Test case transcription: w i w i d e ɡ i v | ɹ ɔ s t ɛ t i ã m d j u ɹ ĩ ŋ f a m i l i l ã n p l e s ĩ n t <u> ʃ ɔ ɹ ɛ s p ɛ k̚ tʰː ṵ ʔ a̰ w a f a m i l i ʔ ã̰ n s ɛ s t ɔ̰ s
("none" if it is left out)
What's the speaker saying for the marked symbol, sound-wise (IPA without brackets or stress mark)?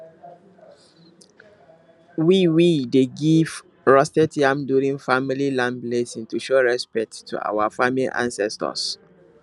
u